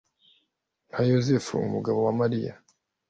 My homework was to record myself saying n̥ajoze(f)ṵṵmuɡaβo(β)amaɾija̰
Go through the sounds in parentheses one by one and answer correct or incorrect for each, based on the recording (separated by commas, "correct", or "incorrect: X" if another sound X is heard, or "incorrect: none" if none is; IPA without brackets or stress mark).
correct, incorrect: w